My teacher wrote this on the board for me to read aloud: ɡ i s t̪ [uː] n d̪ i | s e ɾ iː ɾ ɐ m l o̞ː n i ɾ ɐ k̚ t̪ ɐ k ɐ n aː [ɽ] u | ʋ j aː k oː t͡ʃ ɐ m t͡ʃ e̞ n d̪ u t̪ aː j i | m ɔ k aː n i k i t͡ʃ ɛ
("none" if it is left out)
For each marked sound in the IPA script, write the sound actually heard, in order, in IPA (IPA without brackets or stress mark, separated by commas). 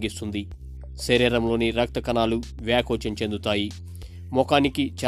u, l